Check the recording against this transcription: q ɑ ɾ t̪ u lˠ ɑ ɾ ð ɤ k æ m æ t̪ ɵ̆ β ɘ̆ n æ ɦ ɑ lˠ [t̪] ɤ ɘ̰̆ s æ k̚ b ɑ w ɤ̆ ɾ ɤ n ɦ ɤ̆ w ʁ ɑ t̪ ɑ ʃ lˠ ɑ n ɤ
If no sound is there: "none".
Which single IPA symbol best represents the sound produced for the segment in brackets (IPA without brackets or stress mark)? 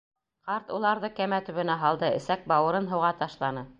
d̪